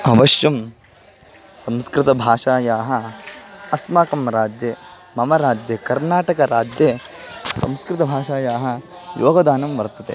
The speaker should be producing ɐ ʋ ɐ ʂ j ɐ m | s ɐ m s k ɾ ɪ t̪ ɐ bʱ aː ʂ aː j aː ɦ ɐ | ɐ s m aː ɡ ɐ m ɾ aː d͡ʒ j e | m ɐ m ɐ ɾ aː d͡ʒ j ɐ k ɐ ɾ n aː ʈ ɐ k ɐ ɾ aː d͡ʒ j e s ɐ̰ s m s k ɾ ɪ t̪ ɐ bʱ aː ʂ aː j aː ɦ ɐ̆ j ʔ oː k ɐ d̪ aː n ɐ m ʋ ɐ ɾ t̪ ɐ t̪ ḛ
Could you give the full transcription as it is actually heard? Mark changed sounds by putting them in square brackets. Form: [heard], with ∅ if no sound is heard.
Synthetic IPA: ɐ ʋ ɐ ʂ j ɐ m | s ɐ m s k ɾ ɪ t̪ ɐ bʱ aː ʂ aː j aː ɦ ɐ | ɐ s m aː [k] ɐ m ɾ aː d͡ʒ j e | m ɐ m ɐ ɾ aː d͡ʒ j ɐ k ɐ ɾ n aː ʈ ɐ k ɐ ɾ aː d͡ʒ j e s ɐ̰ [∅] m s k ɾ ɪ t̪ ɐ bʱ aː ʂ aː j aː ɦ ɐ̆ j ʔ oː [ɡ] ɐ d̪ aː n ɐ m ʋ ɐ ɾ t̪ ɐ t̪ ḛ